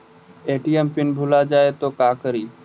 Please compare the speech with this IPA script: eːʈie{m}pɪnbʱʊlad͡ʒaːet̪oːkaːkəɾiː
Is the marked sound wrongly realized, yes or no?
no